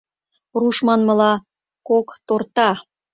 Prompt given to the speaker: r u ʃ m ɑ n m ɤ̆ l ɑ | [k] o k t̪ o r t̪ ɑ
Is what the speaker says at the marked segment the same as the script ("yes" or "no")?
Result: yes